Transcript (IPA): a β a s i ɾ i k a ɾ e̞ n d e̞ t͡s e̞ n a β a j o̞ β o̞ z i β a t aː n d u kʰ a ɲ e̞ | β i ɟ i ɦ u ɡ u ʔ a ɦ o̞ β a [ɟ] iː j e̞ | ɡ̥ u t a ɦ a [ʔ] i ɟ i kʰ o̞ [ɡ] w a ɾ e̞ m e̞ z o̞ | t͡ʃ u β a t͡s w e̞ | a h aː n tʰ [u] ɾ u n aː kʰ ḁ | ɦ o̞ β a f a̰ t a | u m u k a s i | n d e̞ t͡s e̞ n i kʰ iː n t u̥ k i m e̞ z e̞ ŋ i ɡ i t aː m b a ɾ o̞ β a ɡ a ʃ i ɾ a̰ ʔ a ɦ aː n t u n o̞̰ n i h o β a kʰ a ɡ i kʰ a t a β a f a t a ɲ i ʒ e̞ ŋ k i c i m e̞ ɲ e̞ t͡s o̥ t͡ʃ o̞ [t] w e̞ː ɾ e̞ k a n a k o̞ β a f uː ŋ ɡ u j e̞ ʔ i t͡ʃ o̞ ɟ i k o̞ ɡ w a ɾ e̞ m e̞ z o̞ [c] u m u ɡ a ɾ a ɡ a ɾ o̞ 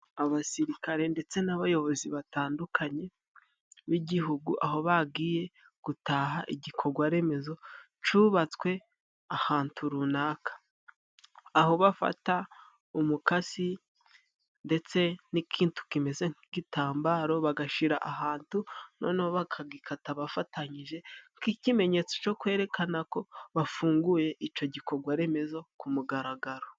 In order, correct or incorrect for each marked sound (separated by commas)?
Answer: incorrect, correct, correct, correct, incorrect, incorrect